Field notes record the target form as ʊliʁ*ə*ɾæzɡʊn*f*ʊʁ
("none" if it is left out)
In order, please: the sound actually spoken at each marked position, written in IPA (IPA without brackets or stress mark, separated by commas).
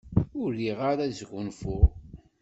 a, f